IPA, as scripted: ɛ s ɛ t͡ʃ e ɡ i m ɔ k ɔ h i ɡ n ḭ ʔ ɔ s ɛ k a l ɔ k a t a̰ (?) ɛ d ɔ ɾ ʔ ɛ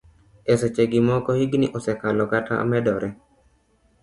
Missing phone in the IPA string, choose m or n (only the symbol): m